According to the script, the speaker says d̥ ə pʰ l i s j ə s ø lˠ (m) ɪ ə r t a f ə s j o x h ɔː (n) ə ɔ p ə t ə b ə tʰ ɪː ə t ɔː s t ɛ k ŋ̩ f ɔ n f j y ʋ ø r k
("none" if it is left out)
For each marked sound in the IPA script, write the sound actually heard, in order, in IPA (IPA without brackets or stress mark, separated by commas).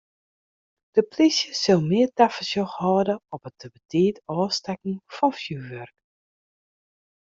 m, d